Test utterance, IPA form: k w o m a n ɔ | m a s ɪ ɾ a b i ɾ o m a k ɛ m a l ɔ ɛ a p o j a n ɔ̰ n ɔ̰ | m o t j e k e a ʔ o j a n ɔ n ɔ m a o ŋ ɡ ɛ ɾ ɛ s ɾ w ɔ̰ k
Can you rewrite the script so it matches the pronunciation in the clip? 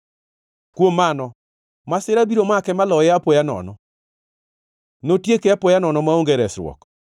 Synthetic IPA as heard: k w o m a n ɔ | m a s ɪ ɾ a b i ɾ o m a k ɛ m a l ɔ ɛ a p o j a n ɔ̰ n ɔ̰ | n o t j e k e a p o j a n ɔ n ɔ m a o ŋ ɡ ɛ ɾ ɛ s ɾ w ɔ̰ k